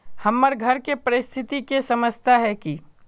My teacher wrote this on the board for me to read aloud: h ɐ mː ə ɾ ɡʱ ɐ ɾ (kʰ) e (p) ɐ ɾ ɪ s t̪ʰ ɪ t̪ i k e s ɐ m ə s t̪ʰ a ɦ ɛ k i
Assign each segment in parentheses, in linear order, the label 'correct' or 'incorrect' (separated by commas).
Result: incorrect, correct